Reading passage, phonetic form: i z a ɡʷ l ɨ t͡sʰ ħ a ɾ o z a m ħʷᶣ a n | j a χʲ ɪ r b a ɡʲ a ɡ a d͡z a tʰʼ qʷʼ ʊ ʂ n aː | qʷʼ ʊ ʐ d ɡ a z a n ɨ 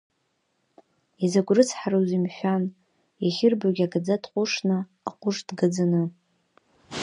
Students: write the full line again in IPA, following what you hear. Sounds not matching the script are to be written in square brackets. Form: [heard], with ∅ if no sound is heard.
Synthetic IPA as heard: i z a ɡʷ [r] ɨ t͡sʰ ħ a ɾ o z [i] m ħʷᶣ a n | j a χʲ ɪ r b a ɡʲ a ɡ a d͡z a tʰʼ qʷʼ ʊ ʂ n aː | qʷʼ ʊ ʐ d ɡ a [d͡z] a n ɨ